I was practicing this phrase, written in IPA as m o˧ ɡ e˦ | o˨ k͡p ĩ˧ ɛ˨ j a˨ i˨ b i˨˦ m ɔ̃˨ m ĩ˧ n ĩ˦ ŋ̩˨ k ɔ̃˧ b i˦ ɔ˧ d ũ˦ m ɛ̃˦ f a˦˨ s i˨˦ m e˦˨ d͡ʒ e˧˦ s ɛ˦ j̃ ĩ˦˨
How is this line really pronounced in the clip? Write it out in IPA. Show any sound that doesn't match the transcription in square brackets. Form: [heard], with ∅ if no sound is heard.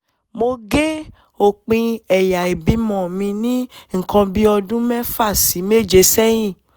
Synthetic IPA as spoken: m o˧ ɡ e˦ | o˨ k͡p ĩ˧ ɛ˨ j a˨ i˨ b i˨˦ m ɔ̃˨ m ĩ˧ n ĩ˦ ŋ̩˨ k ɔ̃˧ b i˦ ɔ˧ d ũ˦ m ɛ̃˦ f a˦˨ s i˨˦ m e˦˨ d͡ʒ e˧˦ s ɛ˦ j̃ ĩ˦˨

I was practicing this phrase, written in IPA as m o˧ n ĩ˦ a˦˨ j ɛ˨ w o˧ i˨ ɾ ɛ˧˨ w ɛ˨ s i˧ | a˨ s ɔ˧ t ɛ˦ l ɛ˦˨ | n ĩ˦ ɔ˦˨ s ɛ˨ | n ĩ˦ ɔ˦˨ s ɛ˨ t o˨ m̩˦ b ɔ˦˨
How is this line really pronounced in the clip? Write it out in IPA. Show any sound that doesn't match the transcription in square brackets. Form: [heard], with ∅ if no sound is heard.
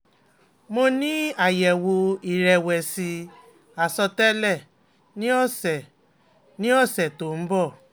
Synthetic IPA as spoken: m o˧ n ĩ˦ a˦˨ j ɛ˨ w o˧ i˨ ɾ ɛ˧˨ w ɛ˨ s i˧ | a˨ s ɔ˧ t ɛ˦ l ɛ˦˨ | n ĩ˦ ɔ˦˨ s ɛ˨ | n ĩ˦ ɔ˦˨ s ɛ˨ t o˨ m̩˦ b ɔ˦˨

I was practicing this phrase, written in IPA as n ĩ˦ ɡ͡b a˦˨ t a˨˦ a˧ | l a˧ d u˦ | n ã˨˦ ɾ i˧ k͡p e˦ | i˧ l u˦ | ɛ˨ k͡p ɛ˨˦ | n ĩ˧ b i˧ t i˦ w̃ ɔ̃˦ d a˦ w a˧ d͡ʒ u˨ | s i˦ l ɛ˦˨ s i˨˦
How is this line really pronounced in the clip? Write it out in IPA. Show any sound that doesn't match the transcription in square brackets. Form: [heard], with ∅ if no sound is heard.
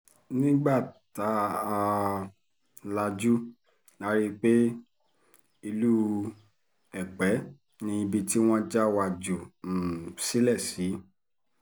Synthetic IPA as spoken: n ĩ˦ ɡ͡b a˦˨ t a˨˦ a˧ | l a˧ [d͡ʒ] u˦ | n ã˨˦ ɾ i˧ k͡p e˦ | i˧ l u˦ | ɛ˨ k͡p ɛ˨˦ | n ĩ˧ b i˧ t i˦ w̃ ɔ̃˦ [d͡ʒ] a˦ w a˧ d͡ʒ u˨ | s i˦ l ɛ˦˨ s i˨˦

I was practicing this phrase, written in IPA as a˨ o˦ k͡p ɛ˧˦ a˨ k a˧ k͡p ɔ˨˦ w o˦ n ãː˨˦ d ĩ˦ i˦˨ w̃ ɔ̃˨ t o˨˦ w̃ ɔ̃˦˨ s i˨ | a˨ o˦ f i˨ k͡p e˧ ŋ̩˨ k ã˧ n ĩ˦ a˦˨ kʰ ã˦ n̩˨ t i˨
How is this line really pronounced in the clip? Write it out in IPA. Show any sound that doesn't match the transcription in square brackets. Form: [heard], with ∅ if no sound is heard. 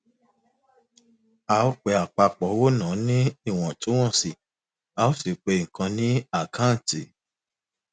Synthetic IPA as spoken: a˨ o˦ k͡p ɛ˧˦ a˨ [k͡p] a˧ k͡p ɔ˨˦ w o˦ n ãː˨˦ [n] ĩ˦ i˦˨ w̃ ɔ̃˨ t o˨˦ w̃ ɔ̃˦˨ s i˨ | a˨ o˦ [s] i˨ k͡p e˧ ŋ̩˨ k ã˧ n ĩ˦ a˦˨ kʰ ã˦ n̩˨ t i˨

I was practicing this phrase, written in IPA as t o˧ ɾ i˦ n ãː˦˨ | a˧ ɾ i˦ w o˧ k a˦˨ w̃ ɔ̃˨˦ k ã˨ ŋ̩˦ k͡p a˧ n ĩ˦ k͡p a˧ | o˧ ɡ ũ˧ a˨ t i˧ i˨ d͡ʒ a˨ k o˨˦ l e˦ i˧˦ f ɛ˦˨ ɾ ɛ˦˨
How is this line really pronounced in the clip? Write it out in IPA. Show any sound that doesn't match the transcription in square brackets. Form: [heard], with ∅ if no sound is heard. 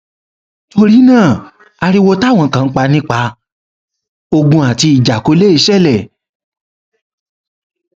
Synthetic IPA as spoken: t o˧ ɾ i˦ n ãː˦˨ | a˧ ɾ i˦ w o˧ [t] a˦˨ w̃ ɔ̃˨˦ k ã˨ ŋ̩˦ k͡p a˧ n ĩ˦ k͡p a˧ | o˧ ɡ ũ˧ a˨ t i˧ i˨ d͡ʒ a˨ k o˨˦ l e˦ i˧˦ [ʃ] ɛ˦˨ [l] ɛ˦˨

